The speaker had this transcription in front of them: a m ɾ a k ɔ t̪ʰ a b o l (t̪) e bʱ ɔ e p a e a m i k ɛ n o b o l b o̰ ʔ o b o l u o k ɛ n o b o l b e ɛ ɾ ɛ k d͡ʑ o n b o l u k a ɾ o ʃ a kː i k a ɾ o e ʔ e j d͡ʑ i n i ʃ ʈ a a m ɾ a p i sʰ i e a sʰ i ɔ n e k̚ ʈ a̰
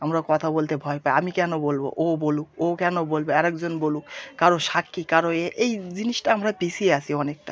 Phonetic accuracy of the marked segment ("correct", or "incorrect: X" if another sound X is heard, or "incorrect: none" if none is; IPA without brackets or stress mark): correct